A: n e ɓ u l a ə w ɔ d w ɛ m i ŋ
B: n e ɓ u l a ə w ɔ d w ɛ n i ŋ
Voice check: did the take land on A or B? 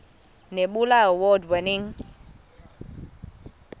B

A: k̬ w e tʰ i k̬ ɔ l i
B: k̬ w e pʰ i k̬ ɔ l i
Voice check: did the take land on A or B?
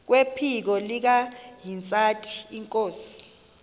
B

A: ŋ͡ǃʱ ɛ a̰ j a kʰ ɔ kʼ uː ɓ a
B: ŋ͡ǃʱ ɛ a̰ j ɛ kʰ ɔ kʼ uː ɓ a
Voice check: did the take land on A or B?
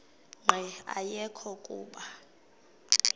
B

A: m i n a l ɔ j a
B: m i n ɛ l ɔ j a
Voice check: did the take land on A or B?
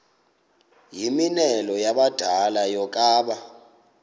B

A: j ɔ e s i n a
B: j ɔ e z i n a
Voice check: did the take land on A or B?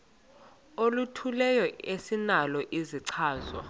A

